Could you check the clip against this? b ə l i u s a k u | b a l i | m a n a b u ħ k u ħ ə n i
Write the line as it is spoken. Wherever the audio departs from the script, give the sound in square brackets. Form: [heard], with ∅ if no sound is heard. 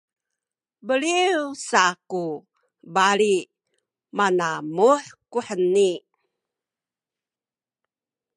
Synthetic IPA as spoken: b ə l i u s a k u | b a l i | m a n a [m] u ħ k u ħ ə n i

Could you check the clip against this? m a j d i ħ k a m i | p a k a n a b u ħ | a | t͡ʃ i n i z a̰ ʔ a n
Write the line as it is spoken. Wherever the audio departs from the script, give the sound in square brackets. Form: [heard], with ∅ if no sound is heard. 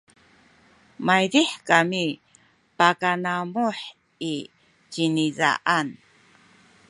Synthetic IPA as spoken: m a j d i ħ k a m i | p a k a n a [m] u ħ | [i] | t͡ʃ i n i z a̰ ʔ a n

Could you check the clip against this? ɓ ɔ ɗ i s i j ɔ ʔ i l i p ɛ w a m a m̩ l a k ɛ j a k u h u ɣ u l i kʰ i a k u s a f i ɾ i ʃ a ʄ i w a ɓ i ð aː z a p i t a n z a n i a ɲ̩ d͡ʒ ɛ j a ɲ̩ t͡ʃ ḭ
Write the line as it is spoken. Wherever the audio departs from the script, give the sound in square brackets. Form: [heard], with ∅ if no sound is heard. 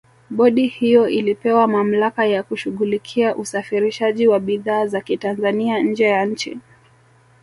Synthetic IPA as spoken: ɓ ɔ ɗ i [h] i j ɔ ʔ i l i p ɛ w a m a m̩ l a k [a] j a k u [ʃ] u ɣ u l i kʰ i a [ʔ] u s a f i ɾ i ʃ a ʄ i w a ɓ i ð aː z a [k] i t a n z a n i a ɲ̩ d͡ʒ ɛ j a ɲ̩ t͡ʃ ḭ

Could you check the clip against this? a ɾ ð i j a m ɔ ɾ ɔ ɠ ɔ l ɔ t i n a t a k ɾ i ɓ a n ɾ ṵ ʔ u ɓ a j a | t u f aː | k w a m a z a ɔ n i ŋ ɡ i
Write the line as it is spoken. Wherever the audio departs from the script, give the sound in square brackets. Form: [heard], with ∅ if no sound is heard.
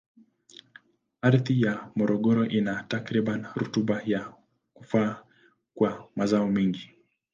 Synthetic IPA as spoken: a ɾ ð i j a m ɔ ɾ ɔ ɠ ɔ [ɾ] ɔ [ʔ] i n a t a k ɾ i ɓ a n ɾ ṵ [t] u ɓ a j a | [k] u f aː | k w a m a z a ɔ [m] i ŋ ɡ i

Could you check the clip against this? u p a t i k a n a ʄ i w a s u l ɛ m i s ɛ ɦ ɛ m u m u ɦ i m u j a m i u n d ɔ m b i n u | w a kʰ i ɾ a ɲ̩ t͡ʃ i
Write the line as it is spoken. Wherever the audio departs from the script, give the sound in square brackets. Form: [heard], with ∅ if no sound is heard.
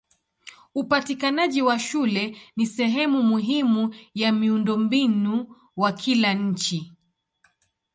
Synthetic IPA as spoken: u p a t i k a n a ʄ i w a [ʃ] u l ɛ [n] i s ɛ ɦ ɛ m u m u ɦ i m u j a m i u n d ɔ m b i n u | w a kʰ i [l] a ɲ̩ t͡ʃ i

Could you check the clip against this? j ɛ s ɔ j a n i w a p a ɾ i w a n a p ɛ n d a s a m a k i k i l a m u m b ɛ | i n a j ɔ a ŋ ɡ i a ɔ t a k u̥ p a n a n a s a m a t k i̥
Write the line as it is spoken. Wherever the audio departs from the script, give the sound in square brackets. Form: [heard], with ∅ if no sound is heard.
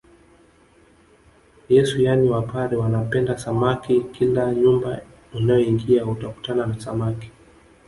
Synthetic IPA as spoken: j ɛ s [u] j a n i w a p a ɾ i w a n a p ɛ n d a s a m a k i k i l a [ɲ] u m b [a] | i n a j ɔ [i] ŋ ɡ i a [u] t a k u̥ [t] a n a n a s a m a [∅] k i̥

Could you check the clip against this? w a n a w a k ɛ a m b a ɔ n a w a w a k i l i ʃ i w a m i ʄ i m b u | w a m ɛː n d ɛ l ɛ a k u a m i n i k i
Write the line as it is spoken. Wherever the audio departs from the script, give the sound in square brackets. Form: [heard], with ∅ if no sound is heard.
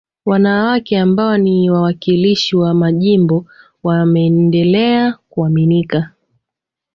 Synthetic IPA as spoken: w a n a w a k ɛ a m b a ɔ n [i] w a w a k i l i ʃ i w a m [a] ʄ i m b [ɔ] | w a m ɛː n d ɛ l ɛ a k u a m i n i k [a]

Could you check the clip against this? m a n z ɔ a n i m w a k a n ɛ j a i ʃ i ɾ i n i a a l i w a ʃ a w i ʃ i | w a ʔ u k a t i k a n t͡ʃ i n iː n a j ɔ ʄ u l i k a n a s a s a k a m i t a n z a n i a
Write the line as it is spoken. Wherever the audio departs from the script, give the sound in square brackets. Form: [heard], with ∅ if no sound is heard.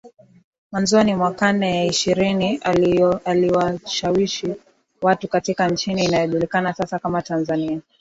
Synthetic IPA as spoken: m a n z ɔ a n i m w a k a n ɛ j a i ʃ i ɾ i n i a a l i w a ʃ a w i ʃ i | w a [t] u k a t i k a n t͡ʃ i n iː n a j ɔ ʄ u l i k a n a s a s a k a m [a] t a n z a n i a

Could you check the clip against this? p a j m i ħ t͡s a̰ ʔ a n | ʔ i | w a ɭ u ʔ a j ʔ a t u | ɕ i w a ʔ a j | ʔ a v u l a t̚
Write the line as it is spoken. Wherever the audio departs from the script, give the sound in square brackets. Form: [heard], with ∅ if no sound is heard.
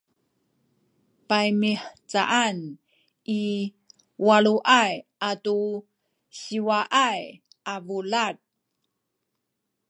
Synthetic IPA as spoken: p a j m i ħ t͡s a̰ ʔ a n | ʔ i | w a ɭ u ʔ a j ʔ a t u | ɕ i w a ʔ a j | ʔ a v u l a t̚

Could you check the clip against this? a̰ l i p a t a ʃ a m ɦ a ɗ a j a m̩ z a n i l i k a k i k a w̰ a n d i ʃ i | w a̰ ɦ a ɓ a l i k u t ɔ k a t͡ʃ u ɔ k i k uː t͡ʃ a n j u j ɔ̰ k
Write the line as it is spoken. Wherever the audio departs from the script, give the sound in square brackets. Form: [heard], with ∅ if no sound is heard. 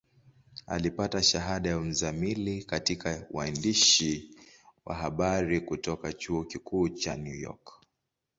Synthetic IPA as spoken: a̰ l i p a t a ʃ a [∅] ɦ a ɗ a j a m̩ z a [m] i l i k a [t] i k a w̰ a n d i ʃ i | w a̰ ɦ a ɓ a [ɾ] i k u t ɔ k a t͡ʃ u ɔ k i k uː t͡ʃ a n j u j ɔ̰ k

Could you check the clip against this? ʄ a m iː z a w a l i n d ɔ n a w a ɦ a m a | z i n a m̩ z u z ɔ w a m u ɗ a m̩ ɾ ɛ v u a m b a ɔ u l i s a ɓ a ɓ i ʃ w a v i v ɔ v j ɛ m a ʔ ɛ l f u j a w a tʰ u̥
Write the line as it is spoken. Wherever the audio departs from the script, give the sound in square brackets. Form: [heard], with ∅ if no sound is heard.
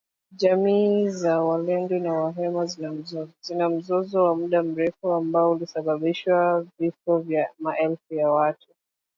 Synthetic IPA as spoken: ʄ a m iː z a w a l [ɛ] n d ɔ n a w a ɦ [ɛ] m a | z i n a m̩ z [ɔ] z ɔ w a m u ɗ a m̩ ɾ ɛ [f] u a m b a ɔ u l i s a ɓ a ɓ i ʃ w a v i [f] ɔ v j [a] m a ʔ ɛ l f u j a w a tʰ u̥

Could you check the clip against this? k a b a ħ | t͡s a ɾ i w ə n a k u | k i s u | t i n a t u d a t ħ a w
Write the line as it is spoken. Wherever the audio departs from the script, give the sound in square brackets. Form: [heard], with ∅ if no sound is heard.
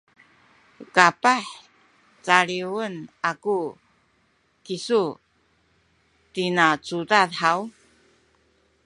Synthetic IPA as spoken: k a [p] a ħ | t͡s a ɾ i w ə n a k u | k i s u | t i n a [t͡s] u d a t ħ a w

